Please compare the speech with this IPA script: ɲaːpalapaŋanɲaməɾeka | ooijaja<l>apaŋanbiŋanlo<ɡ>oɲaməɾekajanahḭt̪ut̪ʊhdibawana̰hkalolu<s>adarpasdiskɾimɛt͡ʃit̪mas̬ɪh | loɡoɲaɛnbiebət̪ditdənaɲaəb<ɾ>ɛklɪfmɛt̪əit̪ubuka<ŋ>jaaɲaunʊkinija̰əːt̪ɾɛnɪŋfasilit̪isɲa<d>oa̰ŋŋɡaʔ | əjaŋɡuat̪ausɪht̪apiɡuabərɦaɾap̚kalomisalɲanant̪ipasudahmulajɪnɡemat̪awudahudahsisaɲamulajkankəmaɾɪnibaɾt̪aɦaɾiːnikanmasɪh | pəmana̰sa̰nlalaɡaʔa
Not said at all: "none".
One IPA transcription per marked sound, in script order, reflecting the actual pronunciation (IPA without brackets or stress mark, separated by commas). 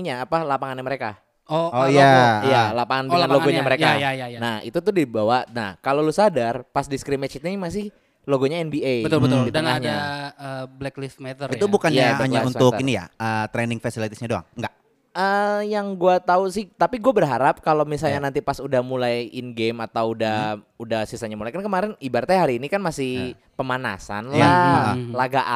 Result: l, ɡ, s, l, n, d